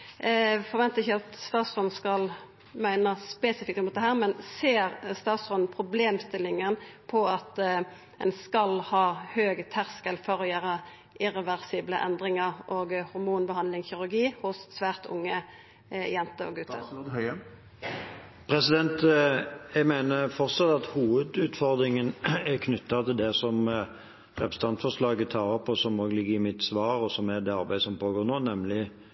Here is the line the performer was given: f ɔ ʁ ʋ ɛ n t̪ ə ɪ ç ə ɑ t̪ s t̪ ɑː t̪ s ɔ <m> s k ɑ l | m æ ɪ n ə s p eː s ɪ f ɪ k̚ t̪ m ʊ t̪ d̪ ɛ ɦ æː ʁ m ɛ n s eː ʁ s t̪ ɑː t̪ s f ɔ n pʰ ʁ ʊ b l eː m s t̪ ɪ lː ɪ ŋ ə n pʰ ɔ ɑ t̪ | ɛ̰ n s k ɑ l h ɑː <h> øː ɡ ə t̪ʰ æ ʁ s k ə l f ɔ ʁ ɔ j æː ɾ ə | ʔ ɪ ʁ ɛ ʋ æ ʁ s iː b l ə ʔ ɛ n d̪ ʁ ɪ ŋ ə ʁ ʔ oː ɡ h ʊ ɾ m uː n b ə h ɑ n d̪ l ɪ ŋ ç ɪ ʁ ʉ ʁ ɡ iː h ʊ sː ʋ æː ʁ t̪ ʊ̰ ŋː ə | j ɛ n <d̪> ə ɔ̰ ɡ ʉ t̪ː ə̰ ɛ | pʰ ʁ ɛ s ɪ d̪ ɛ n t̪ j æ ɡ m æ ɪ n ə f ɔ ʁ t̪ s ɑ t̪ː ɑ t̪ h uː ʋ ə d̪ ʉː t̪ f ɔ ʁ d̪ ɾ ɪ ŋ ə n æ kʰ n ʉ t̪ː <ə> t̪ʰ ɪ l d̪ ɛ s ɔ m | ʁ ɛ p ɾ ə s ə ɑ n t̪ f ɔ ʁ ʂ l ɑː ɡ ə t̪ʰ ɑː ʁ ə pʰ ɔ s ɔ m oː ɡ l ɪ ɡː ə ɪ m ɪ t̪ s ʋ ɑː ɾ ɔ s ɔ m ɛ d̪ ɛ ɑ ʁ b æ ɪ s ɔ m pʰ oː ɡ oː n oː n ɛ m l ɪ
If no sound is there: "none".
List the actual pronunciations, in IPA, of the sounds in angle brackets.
n, h, t̪, ɑ

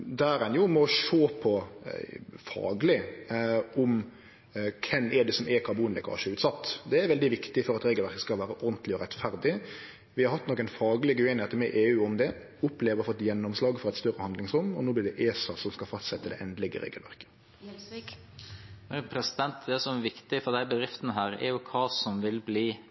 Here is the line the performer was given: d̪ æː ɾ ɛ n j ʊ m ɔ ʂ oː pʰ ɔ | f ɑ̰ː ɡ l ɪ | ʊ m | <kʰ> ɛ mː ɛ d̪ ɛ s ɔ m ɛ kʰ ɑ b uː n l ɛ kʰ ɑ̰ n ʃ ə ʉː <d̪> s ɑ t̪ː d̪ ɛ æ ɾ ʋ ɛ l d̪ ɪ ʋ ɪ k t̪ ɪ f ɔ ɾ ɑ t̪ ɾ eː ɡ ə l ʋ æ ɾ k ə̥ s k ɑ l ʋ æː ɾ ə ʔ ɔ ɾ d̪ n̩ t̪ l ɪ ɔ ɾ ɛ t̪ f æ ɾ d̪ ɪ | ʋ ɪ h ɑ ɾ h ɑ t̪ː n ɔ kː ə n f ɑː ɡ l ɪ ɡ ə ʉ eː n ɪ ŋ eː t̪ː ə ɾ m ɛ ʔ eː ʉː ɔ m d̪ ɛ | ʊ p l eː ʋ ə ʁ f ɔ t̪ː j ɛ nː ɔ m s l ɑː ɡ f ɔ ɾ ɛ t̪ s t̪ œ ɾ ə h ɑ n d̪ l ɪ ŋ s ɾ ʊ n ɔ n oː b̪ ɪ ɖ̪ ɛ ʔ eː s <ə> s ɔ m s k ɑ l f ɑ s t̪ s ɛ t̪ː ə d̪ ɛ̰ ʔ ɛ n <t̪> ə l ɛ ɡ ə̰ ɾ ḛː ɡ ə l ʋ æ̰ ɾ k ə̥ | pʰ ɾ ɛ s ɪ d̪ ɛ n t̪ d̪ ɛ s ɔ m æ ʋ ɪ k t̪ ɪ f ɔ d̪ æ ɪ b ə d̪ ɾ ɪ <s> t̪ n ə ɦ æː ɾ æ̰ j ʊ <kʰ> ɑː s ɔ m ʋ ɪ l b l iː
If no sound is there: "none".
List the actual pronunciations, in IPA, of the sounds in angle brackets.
kʰ, t̪, ɑ, d̪, f, kʰ

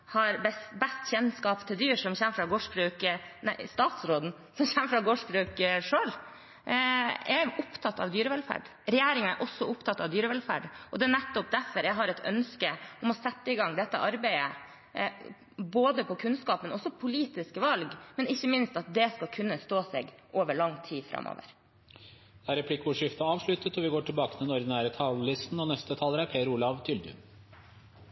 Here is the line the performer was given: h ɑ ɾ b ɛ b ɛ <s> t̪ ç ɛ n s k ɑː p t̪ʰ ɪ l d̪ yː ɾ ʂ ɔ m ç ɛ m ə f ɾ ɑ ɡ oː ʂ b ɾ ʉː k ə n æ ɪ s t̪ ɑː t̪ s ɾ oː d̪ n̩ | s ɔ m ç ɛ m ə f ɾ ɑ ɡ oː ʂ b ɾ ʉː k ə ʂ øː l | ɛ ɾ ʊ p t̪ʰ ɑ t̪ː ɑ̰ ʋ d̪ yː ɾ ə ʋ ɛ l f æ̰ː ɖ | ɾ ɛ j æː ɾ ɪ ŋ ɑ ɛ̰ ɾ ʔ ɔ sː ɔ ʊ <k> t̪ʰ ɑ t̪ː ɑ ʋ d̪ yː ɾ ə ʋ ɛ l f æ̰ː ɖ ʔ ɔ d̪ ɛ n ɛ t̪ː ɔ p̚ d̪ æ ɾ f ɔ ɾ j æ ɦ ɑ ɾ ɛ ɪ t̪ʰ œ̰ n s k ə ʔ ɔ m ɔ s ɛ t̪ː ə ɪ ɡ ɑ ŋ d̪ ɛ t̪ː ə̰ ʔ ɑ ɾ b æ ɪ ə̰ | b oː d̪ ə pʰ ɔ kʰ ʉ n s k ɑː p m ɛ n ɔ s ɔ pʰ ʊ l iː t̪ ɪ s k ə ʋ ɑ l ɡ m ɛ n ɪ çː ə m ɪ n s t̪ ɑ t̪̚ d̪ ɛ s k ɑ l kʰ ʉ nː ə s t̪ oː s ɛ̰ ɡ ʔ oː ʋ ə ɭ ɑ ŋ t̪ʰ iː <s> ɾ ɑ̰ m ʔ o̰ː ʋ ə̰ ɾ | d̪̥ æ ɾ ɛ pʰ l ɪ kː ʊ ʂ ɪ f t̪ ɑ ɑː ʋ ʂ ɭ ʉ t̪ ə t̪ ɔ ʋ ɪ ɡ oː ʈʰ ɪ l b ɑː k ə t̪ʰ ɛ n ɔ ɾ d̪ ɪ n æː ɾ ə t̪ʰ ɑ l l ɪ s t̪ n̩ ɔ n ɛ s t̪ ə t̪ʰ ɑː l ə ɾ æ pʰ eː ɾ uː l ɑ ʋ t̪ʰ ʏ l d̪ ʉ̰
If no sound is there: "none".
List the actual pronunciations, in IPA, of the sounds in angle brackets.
s, p, f

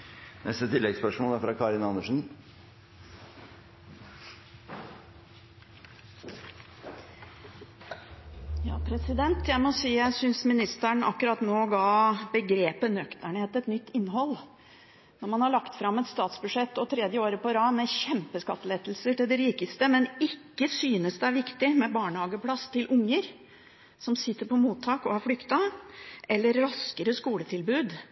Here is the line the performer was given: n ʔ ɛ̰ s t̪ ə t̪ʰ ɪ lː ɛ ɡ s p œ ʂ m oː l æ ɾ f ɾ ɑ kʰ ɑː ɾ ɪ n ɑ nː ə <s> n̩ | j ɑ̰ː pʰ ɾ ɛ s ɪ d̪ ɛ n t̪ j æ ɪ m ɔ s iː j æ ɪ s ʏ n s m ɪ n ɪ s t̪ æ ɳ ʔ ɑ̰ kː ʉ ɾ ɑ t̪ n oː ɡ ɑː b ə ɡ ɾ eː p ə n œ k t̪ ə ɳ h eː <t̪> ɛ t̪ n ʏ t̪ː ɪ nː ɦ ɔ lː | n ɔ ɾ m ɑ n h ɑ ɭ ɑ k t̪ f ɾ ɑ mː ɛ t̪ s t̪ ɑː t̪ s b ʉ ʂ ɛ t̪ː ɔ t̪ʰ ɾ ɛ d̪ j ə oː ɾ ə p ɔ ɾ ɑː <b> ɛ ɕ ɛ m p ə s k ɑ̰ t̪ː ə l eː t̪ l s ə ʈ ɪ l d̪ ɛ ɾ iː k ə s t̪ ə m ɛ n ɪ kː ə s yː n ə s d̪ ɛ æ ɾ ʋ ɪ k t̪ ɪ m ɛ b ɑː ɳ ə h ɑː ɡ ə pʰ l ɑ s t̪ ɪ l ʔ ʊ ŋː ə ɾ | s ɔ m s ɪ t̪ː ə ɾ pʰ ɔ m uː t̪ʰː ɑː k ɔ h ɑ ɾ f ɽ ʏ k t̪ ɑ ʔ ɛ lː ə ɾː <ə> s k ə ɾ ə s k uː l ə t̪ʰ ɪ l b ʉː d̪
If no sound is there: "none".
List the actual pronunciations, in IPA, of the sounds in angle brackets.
ʂ, t̪, m, ɑ

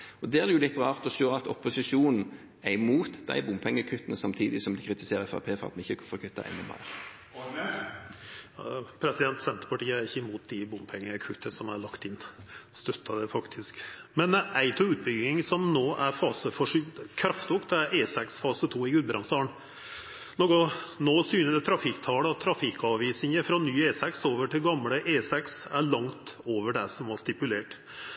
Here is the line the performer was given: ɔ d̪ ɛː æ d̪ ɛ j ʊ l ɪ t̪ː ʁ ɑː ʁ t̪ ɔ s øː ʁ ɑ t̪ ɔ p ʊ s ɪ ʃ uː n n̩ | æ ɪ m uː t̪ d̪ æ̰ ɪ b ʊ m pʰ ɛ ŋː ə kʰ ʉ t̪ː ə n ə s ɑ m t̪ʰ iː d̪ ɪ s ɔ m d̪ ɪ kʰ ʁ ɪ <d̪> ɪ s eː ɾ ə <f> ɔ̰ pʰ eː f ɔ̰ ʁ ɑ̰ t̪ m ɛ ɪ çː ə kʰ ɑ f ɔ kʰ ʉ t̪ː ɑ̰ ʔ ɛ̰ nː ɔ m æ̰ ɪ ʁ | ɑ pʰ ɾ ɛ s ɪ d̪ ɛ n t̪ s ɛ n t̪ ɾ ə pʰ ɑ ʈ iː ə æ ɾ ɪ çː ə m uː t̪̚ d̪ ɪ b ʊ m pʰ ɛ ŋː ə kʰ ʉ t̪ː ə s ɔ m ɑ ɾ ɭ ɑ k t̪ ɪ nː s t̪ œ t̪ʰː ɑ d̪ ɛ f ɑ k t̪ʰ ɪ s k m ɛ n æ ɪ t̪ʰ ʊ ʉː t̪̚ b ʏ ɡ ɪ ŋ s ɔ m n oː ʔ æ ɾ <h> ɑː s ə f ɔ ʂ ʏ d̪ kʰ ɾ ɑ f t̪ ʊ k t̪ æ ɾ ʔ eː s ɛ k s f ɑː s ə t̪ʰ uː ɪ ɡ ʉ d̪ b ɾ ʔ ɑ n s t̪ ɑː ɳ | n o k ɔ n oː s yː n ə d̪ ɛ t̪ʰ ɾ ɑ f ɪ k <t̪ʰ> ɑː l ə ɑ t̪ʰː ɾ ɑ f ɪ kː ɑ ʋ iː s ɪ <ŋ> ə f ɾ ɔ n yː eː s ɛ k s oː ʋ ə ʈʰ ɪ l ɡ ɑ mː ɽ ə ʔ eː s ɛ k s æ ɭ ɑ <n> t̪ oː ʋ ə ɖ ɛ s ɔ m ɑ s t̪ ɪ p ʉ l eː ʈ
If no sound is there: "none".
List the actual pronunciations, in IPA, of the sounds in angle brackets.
t̪, f, f, t̪ʰ, ŋ, ŋ

